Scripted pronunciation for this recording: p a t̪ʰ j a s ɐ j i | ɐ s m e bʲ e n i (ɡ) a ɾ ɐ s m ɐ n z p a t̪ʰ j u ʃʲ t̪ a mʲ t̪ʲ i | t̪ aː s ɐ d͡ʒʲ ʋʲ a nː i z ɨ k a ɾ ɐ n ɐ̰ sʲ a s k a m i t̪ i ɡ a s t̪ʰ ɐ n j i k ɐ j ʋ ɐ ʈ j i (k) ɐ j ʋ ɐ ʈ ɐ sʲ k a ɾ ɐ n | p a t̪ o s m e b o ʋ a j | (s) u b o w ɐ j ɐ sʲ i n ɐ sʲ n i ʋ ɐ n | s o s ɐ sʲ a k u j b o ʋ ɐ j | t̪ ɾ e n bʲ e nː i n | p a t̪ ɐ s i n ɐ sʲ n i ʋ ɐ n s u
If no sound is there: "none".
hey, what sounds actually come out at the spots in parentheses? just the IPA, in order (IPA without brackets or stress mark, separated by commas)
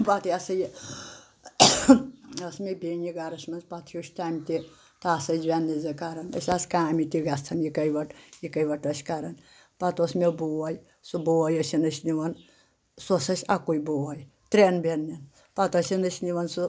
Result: ɡ, k, s